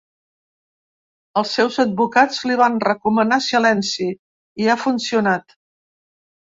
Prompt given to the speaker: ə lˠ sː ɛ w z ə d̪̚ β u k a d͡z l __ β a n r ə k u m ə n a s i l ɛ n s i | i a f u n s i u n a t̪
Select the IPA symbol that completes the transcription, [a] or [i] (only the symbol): i